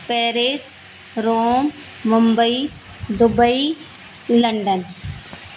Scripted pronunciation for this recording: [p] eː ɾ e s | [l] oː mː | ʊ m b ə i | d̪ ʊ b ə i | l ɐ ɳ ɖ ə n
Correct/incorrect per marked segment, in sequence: correct, incorrect: ɾ

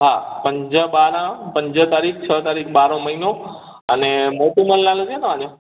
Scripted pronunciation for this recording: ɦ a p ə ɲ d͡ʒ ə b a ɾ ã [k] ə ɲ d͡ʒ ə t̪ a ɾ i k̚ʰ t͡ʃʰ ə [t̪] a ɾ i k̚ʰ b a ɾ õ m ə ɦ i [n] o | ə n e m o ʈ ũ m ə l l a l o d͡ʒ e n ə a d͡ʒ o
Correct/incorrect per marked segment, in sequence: incorrect: p, correct, correct

